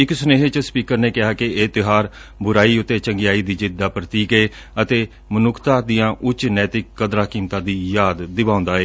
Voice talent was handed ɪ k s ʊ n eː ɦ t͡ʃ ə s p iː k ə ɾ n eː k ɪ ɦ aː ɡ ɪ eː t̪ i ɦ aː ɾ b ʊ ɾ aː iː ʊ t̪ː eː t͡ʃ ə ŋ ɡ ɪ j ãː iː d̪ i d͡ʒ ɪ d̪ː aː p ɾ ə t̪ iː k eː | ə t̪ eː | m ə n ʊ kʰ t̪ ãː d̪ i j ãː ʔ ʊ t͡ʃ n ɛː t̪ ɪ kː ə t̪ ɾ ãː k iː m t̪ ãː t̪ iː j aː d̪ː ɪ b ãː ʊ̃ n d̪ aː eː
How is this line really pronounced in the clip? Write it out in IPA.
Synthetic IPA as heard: ɪ k s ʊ n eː ɦ t͡ʃ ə s p iː k ə ɾ n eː k ɪ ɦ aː k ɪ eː t̪ ɪ ɦ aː ɾ b ʊ ɾ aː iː ʊ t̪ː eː t͡ʃ ə ŋ ɡ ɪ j aː iː d̪ iː d͡ʒ ɪ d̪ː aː p ɾ ə t̪ iː k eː | ə t̪ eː | m ə n ʊ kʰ t̪ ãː d̪ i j ãː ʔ ʊ t͡ʃ n ɛː t̪ ɪ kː ə d̪ ɾ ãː k iː m t̪ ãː d̪ iː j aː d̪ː ɪ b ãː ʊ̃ n d̪ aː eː